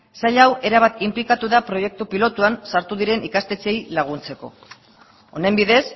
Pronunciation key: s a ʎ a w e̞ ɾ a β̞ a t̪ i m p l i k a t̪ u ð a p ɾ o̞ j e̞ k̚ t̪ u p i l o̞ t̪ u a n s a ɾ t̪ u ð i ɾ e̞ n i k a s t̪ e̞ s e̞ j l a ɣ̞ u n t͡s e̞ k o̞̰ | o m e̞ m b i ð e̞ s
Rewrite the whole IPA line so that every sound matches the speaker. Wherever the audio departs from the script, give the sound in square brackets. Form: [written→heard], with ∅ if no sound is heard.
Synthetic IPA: s a ʎ a w e̞ ɾ a β̞ a t̪ i m p l i k a t̪ u ð a p ɾ o̞ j e̞ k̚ t̪ u p i l o̞ t̪ u a n s a ɾ t̪ u ð i ɾ e̞ n i k a s t̪ e̞ [s→t͡s] e̞ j l a ɣ̞ u n t͡s e̞ k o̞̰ | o [m→n] e̞ m b i ð e̞ s